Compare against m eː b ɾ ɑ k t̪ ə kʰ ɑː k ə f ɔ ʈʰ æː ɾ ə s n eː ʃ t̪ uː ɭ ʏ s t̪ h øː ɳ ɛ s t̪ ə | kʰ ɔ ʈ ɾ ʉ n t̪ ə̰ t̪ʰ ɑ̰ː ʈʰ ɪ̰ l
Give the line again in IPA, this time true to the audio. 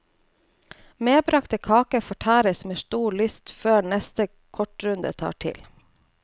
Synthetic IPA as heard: m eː b ɾ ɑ k t̪ ə kʰ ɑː k ə f ɔ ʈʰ æː ɾ ə s m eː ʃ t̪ uː ɭ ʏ s t̪ f øː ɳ ɛ s t̪ ə | kʰ ɔ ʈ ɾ ʉ n d̪ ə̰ t̪ʰ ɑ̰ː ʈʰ ɪ̰ l